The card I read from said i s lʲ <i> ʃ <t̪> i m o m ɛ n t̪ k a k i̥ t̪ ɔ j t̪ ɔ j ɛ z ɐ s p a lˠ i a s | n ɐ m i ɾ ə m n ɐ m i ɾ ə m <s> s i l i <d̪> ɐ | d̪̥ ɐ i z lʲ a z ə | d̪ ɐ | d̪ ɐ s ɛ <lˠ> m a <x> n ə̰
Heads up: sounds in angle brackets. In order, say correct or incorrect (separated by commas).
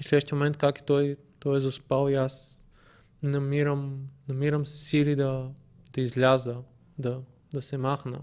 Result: incorrect, correct, correct, correct, incorrect, correct